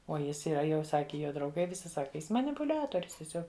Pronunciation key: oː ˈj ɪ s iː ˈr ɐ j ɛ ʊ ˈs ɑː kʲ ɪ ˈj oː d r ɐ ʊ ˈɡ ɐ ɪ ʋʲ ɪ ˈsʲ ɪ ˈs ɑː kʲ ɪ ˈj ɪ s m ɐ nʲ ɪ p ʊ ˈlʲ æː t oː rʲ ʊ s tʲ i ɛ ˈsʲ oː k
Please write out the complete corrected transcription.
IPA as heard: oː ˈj ɪ s iː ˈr ɐ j ɛ ʊ ˈs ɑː kʲ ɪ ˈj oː d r ɐ ʊ ˈɡ ɐ ɪ ʋʲ ɪ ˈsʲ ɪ ˈs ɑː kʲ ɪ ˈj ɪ s m ɐ nʲ ɪ p ʊ ˈlʲ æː t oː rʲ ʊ s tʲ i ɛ ˈsʲ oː k